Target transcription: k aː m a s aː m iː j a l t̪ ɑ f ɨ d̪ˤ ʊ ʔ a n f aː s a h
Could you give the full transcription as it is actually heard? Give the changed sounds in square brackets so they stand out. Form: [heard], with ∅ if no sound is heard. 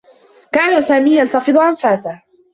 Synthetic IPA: k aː [n] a s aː m iː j a l t̪ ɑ f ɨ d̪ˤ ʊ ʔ a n f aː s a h